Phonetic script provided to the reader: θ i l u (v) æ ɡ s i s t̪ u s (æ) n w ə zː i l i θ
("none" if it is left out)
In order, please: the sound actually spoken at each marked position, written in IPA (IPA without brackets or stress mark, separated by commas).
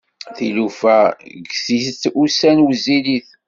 f, æ